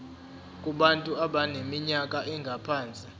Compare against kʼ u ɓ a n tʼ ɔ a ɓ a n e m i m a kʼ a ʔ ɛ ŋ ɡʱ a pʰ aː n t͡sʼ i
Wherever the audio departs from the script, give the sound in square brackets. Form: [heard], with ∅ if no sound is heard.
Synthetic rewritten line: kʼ u ɓ a n tʼ [u] a ɓ a n e m i [ɲ] a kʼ a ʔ ɛ ŋ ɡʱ a pʰ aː n t͡sʼ i